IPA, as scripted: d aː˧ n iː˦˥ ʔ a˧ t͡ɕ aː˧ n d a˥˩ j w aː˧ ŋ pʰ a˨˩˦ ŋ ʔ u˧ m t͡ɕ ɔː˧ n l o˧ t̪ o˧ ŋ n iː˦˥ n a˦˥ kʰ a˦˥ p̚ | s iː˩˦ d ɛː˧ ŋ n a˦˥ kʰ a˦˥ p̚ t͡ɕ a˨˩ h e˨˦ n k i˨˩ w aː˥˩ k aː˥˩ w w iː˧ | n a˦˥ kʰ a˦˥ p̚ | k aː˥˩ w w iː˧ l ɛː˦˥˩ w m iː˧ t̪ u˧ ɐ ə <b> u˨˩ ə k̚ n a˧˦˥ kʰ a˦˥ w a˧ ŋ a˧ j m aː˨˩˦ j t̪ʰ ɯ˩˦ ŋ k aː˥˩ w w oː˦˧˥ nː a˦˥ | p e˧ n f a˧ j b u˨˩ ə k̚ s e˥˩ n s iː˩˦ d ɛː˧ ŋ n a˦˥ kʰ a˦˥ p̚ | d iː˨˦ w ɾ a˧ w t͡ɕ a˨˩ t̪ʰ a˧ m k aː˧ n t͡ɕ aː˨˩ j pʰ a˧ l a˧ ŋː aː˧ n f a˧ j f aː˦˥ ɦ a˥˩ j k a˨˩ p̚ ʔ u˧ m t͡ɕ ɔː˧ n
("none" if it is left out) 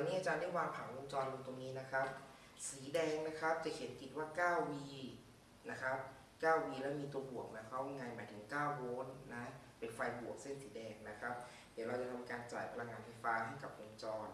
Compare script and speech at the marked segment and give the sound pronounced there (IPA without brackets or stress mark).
b